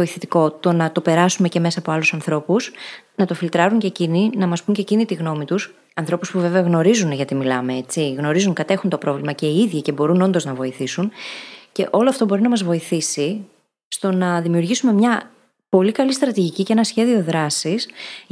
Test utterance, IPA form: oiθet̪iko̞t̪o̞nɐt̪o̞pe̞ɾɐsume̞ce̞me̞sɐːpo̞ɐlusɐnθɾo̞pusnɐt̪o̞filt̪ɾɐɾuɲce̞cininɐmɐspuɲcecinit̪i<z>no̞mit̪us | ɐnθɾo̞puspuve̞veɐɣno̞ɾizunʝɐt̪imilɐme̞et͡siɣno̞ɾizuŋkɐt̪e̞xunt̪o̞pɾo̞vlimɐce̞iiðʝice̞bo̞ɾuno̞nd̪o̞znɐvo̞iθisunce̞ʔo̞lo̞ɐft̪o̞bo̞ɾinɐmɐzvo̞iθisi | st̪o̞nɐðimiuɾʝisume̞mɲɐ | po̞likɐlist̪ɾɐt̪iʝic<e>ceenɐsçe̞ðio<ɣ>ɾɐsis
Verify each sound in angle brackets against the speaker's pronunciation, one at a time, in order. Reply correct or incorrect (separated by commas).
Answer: incorrect, incorrect, incorrect